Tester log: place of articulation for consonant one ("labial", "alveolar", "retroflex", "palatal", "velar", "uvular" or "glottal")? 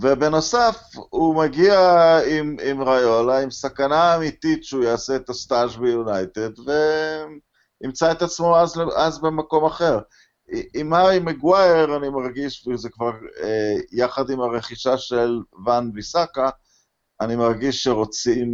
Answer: labial